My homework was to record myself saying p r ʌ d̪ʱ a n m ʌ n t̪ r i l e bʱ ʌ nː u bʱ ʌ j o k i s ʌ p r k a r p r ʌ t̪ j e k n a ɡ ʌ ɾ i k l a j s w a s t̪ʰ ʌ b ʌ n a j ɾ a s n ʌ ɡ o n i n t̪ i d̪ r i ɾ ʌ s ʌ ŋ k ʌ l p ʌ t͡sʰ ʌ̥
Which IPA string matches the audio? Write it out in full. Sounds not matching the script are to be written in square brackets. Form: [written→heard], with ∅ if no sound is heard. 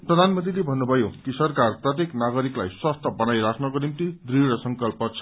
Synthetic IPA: p r ʌ d̪ʱ a n m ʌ n t̪ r i l e bʱ ʌ nː u bʱ ʌ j o k i s ʌ [p→∅] r k a r p r ʌ t̪ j e k n a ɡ ʌ ɾ i k l a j s w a s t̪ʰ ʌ b ʌ n a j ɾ a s n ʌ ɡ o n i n t̪ i d̪ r i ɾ ʌ s ʌ ŋ k ʌ l p ʌ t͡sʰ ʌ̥

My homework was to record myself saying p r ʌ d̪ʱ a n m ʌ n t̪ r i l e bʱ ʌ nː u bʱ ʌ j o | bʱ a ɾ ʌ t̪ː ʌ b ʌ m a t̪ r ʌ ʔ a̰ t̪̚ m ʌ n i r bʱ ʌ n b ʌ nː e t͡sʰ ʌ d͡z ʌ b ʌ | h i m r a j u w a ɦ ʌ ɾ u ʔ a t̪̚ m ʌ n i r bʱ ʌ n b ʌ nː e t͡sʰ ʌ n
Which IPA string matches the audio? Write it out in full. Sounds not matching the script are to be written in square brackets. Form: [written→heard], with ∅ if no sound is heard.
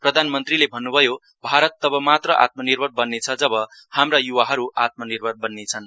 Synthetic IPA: p r ʌ d̪ʱ a n m ʌ n t̪ r i l e bʱ ʌ nː u bʱ ʌ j o | bʱ a ɾ ʌ t̪ː ʌ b ʌ m a t̪ r ʌ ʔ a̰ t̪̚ m ʌ n i r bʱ ʌ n b ʌ nː e t͡sʰ ʌ d͡z ʌ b ʌ | h [i→a] m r a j u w a ɦ ʌ ɾ u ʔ a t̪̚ m ʌ n i r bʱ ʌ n b ʌ nː e t͡sʰ ʌ n

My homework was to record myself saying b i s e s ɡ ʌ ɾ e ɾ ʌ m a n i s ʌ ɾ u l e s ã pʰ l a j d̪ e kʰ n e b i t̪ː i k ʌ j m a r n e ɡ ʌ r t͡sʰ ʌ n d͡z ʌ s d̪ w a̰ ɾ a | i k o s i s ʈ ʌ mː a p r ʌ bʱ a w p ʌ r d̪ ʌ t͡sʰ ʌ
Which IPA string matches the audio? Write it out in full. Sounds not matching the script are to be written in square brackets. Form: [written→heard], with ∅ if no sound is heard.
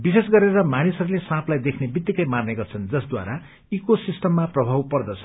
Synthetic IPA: b i s e s ɡ ʌ ɾ e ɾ ʌ m a n i s ʌ ɾ u l e s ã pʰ l a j d̪ e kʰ n e b i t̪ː i k ʌ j m a r n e ɡ ʌ r t͡sʰ ʌ n d͡z ʌ s d̪ w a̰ ɾ a | i k o s i s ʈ ʌ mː a p r ʌ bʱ a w p ʌ r d̪ ʌ t͡sʰ ʌ

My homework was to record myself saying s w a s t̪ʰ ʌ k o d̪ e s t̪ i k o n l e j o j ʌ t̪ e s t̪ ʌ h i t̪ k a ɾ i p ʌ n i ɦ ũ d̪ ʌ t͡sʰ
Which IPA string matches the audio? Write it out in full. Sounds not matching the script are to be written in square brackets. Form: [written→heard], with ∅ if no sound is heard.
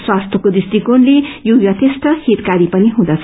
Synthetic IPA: s w a s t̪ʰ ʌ k o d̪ [e→i] s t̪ i k o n l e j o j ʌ t̪ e s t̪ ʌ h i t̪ k a ɾ i p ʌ n i ɦ ũ d̪ ʌ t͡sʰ

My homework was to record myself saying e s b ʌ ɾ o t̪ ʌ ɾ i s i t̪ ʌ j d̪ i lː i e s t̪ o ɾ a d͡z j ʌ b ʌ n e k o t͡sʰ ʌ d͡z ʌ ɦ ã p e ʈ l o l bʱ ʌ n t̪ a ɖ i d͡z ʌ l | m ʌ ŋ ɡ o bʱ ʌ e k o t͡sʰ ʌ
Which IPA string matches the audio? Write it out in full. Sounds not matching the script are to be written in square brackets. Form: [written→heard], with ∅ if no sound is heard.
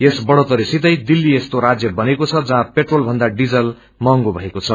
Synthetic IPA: e s b ʌ [ɾ→ɽ] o t̪ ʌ ɾ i s i t̪ ʌ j d̪ i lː i e s t̪ o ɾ a d͡z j ʌ b ʌ n e k o t͡sʰ ʌ d͡z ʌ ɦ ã p e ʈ [l→r] o l bʱ ʌ n [t̪→d̪] a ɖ i d͡z ʌ l | m ʌ ŋ ɡ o bʱ ʌ e k o t͡sʰ ʌ

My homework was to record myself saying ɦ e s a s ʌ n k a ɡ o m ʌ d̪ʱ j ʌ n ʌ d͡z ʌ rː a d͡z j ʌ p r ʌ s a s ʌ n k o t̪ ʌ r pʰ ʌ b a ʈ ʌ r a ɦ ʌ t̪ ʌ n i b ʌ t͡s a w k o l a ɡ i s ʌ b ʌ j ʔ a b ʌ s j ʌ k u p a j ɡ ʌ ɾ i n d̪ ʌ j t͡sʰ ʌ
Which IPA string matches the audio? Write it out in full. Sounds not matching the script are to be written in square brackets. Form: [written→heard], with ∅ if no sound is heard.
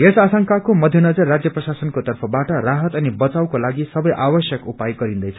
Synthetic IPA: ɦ e s a s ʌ [n→ŋ] k a [ɡ→k] o m ʌ d̪ʱ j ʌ n ʌ d͡z ʌ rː a d͡z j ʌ p r ʌ s a s ʌ n k o t̪ ʌ r pʰ ʌ b a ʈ ʌ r a ɦ ʌ t̪ ʌ n i b ʌ t͡s a w k o l a ɡ i s ʌ b ʌ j ʔ a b ʌ s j ʌ k u p a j ɡ ʌ ɾ i n d̪ ʌ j t͡sʰ ʌ

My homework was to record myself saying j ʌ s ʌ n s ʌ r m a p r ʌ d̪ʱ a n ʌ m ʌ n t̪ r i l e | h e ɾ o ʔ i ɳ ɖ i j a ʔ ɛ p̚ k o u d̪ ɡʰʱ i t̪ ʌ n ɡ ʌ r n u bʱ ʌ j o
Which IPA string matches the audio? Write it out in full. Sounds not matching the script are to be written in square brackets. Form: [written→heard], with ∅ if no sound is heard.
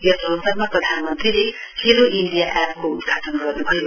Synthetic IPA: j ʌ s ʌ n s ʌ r m a p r ʌ d̪ʱ a n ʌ m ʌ n t̪ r i l e | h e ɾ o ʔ i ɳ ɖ i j a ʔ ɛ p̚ k o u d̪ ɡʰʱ [i→a] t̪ ʌ n ɡ ʌ r n u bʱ ʌ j o

